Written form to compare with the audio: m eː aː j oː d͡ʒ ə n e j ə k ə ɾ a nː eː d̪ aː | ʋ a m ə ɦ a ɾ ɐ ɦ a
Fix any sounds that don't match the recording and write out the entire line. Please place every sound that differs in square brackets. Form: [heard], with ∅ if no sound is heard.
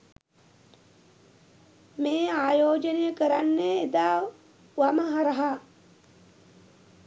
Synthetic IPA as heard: m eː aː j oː d͡ʒ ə n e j ə k ə ɾ a nː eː d̪ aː | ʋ a m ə ɦ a ɾ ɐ ɦ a

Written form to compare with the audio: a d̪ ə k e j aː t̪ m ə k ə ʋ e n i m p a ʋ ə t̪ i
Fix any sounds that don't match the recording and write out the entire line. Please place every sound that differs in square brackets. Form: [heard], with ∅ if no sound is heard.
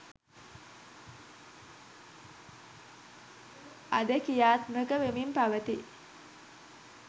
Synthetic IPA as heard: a d̪ ə k [i] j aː t̪ m ə k ə ʋ e [m] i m p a ʋ ə t̪ i

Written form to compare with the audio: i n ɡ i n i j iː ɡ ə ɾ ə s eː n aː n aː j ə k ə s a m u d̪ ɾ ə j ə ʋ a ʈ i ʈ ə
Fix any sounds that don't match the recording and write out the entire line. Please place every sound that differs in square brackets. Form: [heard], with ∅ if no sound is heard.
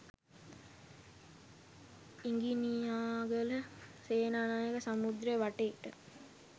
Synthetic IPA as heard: i [ŋ] ɡ i n i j [aː] ɡ ə [l] ə s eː n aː n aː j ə k ə s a m u d̪ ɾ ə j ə ʋ a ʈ [e] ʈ ə

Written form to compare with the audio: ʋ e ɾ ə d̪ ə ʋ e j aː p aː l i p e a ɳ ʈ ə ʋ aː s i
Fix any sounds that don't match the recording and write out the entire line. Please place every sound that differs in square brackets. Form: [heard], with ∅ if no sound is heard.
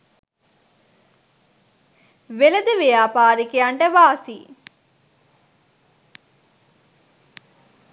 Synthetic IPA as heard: ʋ e [l] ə d̪ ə ʋ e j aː p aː [ɾ] i [k] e a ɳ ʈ ə ʋ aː s i

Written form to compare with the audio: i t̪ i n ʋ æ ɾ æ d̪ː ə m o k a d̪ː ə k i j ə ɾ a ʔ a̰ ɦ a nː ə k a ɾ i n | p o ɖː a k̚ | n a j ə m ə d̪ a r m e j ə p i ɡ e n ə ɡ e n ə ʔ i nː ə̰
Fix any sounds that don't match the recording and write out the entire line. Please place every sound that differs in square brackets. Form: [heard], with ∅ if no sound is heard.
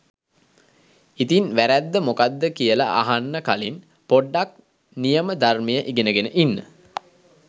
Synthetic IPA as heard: i t̪ i n ʋ æ ɾ æ d̪ː ə m o k a d̪ː ə k i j ə [l] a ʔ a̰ ɦ a nː ə k a [l] i n | p o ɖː a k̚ | n [i] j ə m ə d̪ a r m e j ə [ʔ] i ɡ e n ə ɡ e n ə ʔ i nː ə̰

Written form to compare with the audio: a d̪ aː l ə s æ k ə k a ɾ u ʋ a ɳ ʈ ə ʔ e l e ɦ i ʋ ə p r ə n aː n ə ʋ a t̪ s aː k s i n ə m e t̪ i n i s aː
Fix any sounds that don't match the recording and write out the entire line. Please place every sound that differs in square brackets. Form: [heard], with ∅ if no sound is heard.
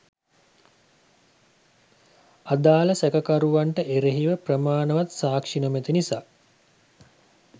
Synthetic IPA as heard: a d̪ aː l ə s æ k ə k a ɾ u ʋ a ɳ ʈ ə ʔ e [ɾ] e ɦ i ʋ ə p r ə [m] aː n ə ʋ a t̪ s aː k [ʂ] i n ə m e t̪ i n i s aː

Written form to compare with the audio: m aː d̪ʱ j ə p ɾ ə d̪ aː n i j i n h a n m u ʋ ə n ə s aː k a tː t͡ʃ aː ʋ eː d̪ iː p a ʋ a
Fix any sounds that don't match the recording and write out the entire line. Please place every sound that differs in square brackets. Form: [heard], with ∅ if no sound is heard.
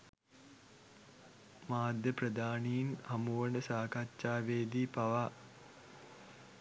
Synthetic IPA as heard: m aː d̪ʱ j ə p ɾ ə d̪ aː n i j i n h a [∅] m u ʋ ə n ə s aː k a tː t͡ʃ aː ʋ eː d̪ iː p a ʋ a

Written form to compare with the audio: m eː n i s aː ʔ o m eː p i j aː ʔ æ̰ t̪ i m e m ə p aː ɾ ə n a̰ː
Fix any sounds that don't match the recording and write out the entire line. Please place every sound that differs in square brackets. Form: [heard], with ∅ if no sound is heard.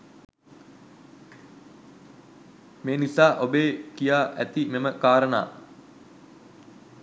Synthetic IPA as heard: m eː n i s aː ʔ o [b] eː [k] i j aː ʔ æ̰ t̪ i m e m ə [k] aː ɾ ə n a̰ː

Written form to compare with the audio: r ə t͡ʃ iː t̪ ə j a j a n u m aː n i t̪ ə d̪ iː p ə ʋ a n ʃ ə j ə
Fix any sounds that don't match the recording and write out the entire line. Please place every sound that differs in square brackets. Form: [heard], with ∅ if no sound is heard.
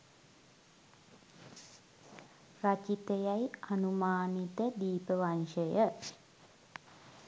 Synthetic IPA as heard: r [a] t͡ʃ [i] t̪ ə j a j a n u m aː n i t̪ ə d̪ iː p ə ʋ a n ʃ ə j ə

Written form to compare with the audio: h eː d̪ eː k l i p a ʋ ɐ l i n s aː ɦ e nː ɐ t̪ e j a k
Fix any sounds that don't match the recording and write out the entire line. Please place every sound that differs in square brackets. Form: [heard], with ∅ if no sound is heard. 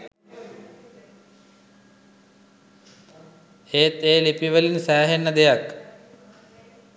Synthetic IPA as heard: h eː [t̪] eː [∅] l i p [i] ʋ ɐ l i n s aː ɦ e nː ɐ [d̪] e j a k

